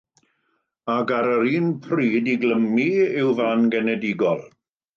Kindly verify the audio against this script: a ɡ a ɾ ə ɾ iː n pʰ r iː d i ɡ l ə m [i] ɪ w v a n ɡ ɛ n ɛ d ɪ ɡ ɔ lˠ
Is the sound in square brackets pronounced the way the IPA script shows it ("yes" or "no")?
yes